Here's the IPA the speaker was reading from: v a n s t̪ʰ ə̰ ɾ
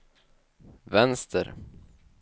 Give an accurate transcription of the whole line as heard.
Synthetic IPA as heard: v ɛ n s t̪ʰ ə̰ ɾ